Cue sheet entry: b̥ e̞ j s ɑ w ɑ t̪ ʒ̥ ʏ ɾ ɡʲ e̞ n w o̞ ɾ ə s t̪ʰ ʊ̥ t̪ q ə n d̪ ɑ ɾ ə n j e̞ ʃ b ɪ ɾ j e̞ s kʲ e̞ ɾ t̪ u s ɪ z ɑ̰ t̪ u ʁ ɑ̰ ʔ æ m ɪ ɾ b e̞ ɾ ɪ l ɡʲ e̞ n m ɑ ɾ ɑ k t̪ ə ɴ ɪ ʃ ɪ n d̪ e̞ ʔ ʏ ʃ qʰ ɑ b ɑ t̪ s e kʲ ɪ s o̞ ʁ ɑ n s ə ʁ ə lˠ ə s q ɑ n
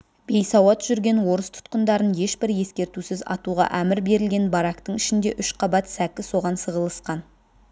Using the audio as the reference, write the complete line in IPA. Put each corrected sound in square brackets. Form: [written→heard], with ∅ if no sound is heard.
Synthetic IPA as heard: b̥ e̞ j s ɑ w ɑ t̪ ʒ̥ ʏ ɾ ɡʲ e̞ n w o̞ ɾ ə s t̪ʰ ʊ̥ t̪ q ə n d̪ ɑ ɾ ə n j e̞ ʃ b ɪ ɾ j e̞ s kʲ e̞ ɾ t̪ u s ɪ z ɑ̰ t̪ u ʁ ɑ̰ ʔ æ m ɪ ɾ b e̞ ɾ ɪ l ɡʲ e̞ n [m→b] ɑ ɾ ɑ k t̪ ə ɴ ɪ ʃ ɪ n d̪ e̞ ʔ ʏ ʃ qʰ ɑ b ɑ t̪ s [e→æ] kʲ ɪ s o̞ ʁ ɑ n s ə ʁ ə lˠ ə s q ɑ n